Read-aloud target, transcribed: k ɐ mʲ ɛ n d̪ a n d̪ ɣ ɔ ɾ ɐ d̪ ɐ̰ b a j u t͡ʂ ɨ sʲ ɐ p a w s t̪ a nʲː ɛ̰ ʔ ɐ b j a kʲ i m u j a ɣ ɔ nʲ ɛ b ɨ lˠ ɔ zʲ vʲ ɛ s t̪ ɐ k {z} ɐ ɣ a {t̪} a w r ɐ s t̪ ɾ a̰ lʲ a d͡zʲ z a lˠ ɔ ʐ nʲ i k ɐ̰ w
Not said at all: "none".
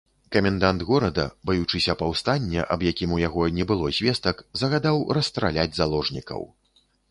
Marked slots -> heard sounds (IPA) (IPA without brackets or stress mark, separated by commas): z, d̪